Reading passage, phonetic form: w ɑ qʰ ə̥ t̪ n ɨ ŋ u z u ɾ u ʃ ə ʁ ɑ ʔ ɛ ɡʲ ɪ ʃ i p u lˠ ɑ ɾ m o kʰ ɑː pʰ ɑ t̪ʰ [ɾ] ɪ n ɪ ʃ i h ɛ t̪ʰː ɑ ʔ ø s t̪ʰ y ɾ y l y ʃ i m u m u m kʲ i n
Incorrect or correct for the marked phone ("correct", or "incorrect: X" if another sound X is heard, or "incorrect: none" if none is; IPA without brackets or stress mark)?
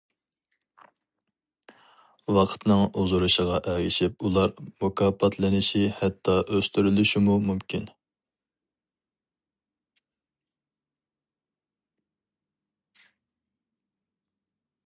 incorrect: l